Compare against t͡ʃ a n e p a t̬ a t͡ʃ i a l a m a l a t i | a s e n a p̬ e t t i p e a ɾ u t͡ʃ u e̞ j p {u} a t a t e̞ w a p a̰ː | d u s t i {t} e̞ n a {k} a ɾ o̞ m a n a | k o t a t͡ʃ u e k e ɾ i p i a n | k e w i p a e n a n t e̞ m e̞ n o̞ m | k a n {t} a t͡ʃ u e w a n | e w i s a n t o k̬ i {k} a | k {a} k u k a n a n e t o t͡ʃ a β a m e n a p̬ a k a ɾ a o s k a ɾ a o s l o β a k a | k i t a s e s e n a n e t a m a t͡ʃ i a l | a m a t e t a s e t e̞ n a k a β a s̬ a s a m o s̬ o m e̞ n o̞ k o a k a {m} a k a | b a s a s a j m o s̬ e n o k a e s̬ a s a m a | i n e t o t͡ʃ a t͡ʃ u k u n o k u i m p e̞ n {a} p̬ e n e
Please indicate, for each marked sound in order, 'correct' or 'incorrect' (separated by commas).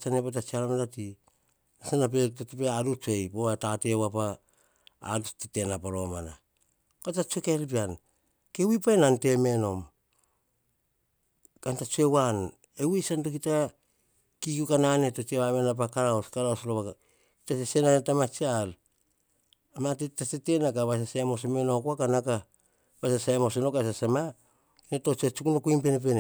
incorrect, correct, incorrect, correct, incorrect, incorrect, incorrect, incorrect